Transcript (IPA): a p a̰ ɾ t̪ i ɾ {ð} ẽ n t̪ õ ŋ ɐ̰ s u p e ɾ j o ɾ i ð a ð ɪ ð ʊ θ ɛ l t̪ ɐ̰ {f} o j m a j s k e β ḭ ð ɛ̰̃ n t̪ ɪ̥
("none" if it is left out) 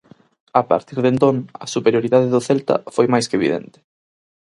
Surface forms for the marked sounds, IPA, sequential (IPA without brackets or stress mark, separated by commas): ð, f